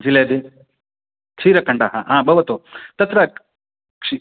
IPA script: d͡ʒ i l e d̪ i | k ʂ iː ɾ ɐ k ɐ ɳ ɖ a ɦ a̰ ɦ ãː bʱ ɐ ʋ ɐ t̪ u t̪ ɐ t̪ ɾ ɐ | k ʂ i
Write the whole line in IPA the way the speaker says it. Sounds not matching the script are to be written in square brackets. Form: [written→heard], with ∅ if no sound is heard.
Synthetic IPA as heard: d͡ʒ i l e d̪ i | k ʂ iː ɾ ɐ k ɐ ɳ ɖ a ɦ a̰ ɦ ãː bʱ ɐ ʋ ɐ t̪ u t̪ ɐ t̪ ɾ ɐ | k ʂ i